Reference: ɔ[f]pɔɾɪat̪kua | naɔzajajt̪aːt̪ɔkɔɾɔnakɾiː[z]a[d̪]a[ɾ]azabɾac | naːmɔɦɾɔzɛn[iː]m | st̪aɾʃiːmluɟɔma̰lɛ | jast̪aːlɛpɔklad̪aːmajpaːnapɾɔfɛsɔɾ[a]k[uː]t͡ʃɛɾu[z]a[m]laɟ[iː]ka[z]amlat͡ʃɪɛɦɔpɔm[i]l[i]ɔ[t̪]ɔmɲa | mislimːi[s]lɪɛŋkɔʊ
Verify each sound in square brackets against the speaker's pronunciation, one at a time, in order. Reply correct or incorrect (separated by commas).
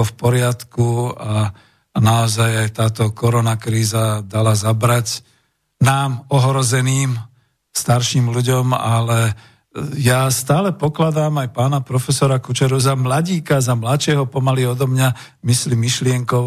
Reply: correct, correct, correct, incorrect, correct, correct, incorrect, correct, correct, correct, correct, incorrect, correct, incorrect, incorrect